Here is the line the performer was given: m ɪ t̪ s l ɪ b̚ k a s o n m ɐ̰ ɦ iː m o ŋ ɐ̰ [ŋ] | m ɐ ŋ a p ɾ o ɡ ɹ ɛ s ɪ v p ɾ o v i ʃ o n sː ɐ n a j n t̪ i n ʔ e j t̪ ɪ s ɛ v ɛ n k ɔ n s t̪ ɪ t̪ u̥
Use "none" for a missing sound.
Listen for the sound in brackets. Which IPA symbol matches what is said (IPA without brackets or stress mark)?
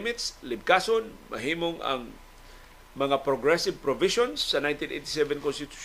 ŋ